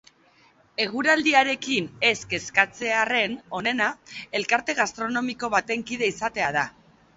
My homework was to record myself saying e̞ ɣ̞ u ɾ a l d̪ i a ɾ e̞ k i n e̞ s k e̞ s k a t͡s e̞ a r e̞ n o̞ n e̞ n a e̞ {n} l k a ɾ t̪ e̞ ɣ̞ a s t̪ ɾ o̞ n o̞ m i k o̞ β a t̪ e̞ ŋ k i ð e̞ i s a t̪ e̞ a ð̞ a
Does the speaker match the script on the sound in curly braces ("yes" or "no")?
no